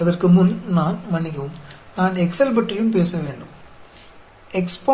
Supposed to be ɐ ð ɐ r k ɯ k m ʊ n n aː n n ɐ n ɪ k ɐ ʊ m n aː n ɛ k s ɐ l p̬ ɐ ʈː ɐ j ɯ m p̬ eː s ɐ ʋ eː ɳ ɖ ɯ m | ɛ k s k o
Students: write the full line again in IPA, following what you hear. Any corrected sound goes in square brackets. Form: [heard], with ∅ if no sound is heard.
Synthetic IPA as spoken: ɐ ð ɐ r k ɯ [∅] m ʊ n n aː n [m] ɐ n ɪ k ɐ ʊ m n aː n ɛ k s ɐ l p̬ ɐ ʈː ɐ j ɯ m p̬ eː s ɐ ʋ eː ɳ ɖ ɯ m | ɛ k s [p] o